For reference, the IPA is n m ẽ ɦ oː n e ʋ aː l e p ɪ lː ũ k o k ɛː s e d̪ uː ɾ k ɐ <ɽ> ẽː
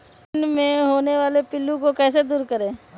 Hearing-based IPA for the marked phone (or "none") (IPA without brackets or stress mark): ɾ